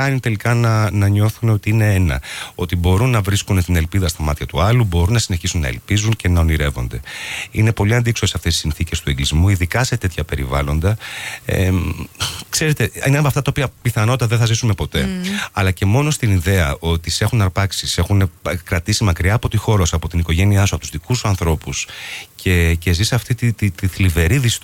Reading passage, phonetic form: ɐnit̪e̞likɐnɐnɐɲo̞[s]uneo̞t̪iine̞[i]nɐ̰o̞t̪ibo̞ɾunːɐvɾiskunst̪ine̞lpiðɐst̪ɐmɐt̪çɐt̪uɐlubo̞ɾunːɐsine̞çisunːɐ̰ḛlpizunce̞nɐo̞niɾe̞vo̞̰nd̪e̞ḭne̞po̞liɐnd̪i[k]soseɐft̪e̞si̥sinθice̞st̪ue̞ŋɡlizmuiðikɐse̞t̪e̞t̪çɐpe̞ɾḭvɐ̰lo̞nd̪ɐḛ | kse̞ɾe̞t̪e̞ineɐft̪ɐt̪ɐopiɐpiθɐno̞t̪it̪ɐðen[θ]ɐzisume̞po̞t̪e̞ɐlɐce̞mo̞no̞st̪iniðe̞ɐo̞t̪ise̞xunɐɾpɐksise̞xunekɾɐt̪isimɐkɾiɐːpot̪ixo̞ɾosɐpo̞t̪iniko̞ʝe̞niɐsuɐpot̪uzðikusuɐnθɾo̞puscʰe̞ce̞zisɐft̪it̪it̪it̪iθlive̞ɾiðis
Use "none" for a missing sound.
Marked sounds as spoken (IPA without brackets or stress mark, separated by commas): θ, e, k, θ